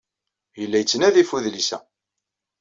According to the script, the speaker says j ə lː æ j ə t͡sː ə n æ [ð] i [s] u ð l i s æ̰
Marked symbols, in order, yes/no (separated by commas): yes, no